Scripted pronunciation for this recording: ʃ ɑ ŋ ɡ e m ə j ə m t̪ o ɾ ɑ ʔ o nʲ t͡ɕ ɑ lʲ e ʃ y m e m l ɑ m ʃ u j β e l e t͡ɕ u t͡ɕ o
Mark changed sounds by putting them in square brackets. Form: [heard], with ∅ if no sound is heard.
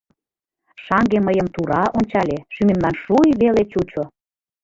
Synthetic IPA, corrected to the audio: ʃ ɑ ŋ ɡ e m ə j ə m t̪ [u] ɾ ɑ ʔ o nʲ t͡ɕ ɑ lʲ e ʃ y m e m l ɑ [n] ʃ u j β e l e t͡ɕ u t͡ɕ o